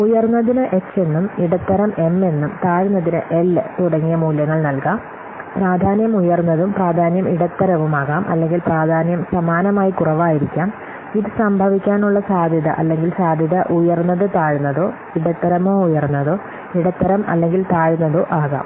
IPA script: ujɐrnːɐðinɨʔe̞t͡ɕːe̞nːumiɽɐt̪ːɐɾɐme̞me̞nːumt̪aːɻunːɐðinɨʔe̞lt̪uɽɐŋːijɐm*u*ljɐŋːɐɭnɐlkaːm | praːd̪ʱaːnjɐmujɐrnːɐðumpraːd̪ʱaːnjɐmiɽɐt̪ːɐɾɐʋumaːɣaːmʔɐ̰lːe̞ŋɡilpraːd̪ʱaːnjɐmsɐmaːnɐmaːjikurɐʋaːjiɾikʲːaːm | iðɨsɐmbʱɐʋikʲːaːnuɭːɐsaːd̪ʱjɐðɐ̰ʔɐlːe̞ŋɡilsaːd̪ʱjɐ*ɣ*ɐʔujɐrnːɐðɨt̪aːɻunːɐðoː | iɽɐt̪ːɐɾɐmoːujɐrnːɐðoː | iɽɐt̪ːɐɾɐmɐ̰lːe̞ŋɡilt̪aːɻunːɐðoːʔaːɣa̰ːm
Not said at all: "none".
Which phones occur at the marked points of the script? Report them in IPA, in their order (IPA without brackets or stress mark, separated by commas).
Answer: uː, ð